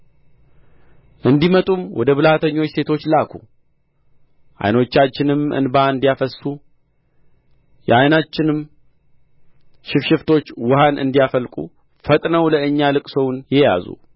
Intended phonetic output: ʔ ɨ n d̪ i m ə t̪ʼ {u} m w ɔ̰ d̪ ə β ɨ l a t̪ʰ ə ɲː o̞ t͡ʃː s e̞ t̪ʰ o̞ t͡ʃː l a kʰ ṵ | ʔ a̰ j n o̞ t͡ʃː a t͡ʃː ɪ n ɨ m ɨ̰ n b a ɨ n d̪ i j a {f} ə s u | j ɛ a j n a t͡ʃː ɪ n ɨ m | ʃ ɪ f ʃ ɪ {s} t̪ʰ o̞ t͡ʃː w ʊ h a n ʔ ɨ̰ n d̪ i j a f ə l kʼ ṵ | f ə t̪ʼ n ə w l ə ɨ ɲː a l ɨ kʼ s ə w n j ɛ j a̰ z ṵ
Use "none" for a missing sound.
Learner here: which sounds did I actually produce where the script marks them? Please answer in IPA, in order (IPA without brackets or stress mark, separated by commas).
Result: u, f, f